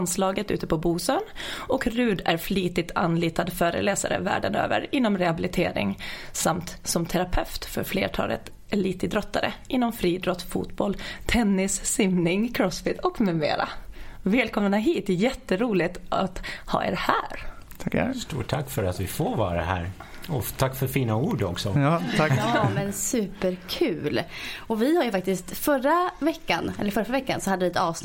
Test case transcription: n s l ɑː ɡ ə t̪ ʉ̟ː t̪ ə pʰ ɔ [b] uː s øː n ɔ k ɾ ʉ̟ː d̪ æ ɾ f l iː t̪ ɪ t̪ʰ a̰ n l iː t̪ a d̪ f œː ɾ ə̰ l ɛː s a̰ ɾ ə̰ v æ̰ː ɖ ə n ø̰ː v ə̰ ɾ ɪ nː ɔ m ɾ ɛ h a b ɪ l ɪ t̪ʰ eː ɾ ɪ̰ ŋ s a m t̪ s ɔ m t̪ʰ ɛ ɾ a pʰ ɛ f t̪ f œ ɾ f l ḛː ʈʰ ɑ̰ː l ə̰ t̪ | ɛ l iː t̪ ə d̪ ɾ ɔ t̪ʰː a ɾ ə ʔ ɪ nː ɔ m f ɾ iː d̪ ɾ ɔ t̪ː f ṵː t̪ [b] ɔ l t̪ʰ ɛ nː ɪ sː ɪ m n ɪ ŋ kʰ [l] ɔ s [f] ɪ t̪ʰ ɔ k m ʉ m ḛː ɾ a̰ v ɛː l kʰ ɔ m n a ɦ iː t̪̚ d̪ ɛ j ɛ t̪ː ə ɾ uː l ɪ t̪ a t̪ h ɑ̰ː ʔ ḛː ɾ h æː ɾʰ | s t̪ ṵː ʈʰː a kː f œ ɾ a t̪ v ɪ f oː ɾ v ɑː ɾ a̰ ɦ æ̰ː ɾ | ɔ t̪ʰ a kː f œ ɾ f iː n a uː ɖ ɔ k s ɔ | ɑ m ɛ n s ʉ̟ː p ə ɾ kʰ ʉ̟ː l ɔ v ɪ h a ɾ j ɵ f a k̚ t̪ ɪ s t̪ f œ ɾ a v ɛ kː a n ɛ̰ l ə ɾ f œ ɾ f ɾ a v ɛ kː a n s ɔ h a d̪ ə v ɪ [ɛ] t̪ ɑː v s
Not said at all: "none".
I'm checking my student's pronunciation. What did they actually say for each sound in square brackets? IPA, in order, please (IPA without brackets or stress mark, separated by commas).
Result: b, b, ɾ, f, ɛ